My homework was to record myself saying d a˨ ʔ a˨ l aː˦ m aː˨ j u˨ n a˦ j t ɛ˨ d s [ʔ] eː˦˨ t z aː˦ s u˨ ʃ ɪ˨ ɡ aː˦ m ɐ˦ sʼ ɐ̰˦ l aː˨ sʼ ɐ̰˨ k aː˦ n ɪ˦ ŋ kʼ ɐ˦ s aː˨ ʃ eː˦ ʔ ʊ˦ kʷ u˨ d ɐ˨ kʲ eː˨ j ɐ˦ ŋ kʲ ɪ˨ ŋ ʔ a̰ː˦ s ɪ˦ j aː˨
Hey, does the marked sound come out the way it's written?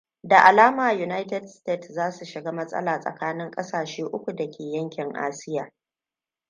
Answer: no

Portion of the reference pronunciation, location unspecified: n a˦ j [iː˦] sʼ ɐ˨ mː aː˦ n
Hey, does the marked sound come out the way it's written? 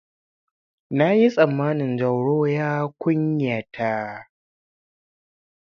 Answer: no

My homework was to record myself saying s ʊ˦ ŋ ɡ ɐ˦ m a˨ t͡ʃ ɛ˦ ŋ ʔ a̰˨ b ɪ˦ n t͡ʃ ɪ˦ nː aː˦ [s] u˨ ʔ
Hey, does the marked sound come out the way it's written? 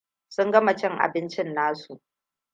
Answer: yes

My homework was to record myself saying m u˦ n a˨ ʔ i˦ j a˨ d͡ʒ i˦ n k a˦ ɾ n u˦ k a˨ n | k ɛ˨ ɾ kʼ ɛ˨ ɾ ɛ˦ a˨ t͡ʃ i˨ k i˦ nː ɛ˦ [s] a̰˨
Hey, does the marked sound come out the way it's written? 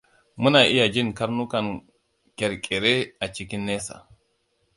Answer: yes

